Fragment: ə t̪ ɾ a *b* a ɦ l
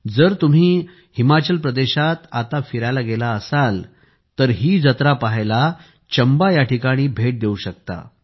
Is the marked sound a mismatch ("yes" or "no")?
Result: yes